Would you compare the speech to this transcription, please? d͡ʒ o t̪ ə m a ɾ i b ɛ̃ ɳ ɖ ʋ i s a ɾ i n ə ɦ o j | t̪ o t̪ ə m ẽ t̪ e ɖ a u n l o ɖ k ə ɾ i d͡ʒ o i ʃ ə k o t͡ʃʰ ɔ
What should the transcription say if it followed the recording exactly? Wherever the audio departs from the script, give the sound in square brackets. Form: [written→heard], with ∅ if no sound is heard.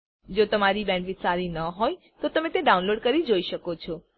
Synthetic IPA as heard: d͡ʒ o t̪ ə m a ɾ i b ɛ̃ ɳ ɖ ʋ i s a ɾ i n ə ɦ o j | t̪ o t̪ ə m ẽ t̪ e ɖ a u n l o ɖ k ə ɾ i d͡ʒ o i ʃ ə k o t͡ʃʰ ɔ